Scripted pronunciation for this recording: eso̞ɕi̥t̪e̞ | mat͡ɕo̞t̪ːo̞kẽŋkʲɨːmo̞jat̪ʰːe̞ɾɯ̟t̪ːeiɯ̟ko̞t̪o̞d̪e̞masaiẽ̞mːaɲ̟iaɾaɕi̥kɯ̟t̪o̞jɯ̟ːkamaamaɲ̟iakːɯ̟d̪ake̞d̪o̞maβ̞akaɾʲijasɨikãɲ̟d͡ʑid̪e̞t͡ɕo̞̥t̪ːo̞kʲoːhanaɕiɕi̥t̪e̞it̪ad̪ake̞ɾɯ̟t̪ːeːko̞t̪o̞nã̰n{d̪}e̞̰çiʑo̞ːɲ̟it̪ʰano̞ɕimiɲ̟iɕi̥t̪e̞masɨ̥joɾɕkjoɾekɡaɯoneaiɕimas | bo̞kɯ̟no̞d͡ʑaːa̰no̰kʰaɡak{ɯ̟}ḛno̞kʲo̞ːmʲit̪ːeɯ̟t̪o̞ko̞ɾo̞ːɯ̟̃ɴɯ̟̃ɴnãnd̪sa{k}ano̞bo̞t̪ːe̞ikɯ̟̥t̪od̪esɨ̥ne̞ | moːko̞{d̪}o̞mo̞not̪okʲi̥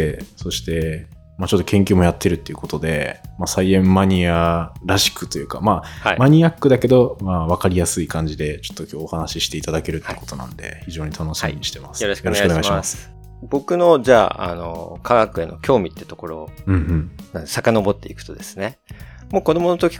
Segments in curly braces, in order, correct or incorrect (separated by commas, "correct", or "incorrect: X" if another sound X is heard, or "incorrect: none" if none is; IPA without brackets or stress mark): correct, correct, correct, correct